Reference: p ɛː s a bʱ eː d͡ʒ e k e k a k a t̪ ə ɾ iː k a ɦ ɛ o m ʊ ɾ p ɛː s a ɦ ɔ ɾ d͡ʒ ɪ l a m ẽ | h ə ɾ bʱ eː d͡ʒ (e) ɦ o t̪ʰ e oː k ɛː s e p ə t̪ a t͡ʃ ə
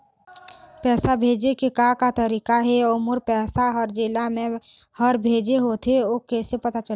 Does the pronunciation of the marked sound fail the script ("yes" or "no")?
no